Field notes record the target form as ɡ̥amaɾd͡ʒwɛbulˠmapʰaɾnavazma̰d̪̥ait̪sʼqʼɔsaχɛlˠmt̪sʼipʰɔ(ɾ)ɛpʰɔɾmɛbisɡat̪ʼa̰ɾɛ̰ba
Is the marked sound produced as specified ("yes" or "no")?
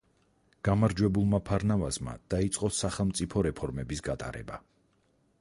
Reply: yes